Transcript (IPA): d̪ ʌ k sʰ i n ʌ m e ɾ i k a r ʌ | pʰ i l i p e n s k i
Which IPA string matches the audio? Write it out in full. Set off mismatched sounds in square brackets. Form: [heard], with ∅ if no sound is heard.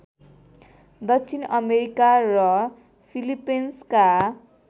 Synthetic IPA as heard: d̪ ʌ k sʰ i n ʌ m e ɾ i k a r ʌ | pʰ i l i p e n s k [a]